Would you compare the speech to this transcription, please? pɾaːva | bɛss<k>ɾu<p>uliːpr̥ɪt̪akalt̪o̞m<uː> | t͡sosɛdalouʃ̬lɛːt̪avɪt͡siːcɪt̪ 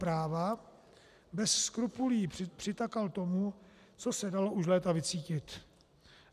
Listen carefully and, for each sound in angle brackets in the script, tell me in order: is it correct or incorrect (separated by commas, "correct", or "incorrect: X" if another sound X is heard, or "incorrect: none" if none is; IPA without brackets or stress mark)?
correct, correct, incorrect: u